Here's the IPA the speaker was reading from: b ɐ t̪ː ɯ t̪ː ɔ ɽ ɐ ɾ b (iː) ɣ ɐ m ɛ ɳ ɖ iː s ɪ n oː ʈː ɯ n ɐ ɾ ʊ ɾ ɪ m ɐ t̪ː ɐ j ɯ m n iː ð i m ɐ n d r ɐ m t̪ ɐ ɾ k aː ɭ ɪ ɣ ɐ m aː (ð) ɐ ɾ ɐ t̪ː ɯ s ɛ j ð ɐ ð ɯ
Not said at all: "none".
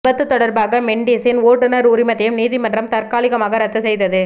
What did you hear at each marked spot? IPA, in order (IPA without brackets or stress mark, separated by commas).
aː, ɣ